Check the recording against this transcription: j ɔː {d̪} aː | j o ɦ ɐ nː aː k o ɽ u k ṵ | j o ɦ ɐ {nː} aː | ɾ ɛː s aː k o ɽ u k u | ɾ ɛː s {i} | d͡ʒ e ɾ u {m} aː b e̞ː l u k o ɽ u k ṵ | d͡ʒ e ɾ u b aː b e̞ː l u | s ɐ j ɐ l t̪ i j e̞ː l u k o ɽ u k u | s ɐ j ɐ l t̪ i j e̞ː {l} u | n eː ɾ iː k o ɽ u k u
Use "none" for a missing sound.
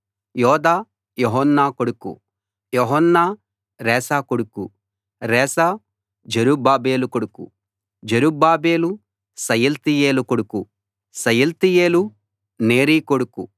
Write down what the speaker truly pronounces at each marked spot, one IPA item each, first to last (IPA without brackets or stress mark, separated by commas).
d̪, nː, a, b, l